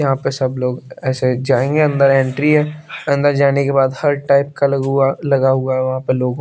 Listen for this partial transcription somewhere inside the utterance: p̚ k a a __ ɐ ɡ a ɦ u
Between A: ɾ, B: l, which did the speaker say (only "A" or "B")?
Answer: B